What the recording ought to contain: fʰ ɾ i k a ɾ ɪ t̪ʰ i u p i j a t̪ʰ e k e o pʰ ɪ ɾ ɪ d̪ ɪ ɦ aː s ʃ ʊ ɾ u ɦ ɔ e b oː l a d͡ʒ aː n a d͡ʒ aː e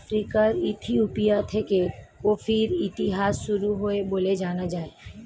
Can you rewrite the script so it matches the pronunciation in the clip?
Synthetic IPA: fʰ ɾ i k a ɾ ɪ t̪ʰ i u p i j a t̪ʰ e k e o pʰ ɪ ɾ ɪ t̪ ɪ ɦ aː s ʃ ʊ ɾ u ɦ o e b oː l e d͡ʒ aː n a d͡ʒ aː e